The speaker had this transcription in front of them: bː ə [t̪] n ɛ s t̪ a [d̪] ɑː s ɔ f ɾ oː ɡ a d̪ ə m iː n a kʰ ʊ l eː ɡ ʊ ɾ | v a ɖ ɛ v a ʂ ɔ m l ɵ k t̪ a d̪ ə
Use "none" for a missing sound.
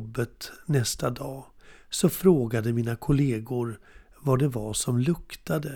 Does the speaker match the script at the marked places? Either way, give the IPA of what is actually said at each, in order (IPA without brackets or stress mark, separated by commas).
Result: t̪, d̪